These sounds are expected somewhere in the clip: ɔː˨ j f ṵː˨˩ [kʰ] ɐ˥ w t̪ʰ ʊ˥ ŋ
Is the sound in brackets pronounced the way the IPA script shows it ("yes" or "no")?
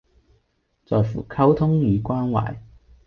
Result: yes